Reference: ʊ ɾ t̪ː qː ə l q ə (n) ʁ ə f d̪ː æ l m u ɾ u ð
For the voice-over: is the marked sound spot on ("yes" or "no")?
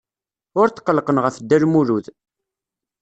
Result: yes